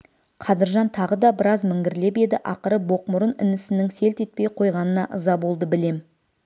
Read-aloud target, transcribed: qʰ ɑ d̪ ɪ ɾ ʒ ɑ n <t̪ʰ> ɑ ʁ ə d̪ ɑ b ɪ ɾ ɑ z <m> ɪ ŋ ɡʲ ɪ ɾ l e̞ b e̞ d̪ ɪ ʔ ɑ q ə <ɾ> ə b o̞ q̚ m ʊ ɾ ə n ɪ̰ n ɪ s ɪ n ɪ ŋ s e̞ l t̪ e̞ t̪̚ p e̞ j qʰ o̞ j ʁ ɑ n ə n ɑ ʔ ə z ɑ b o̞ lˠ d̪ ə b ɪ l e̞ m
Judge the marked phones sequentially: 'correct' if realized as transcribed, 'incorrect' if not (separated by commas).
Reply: correct, correct, correct